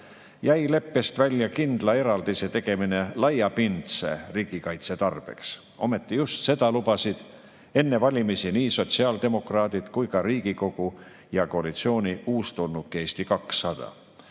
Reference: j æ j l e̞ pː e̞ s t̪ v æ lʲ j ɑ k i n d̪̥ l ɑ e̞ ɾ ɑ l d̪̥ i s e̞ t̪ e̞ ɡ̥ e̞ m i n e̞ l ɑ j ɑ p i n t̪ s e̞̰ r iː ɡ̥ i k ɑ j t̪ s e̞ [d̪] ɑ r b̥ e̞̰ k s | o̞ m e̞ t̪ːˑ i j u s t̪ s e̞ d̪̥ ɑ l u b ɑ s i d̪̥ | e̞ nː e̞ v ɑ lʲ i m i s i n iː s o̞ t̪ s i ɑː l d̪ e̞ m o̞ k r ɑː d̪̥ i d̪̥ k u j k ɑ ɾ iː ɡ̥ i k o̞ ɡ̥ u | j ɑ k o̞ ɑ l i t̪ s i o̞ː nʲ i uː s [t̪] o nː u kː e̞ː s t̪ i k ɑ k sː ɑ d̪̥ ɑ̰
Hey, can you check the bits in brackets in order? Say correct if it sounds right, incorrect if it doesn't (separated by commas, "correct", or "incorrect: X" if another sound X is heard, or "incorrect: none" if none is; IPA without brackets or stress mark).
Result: incorrect: t̪, correct